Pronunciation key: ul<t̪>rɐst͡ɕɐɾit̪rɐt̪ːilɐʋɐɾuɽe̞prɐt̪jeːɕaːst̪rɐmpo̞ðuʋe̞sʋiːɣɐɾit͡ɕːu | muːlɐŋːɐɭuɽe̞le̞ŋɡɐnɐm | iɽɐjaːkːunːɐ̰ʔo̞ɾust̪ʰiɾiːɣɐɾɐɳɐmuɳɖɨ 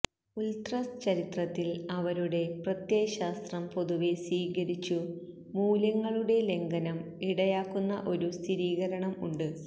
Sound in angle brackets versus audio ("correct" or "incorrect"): correct